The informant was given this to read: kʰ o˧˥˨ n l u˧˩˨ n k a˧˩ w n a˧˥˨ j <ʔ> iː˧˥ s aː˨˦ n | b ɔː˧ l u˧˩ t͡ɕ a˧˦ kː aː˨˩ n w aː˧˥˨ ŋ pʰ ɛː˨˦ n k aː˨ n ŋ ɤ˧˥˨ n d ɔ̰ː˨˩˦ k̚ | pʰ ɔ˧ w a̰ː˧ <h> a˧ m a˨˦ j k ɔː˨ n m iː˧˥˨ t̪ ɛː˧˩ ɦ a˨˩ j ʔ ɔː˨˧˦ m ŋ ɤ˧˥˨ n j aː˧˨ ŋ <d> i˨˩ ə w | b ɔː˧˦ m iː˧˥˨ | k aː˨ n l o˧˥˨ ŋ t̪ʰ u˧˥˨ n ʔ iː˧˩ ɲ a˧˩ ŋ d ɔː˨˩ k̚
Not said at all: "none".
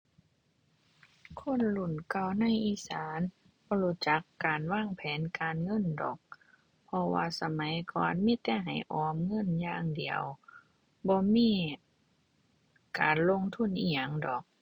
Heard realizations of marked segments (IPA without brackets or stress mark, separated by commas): ʔ, s, d